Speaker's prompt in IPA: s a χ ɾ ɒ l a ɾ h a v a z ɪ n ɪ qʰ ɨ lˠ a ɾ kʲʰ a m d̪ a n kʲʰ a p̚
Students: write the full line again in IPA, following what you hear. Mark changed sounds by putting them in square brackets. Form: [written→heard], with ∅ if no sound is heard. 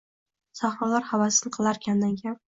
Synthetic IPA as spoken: s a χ ɾ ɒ l a ɾ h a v a [z→s] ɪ n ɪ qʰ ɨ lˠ a ɾ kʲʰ a [m→n] d̪ a n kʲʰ a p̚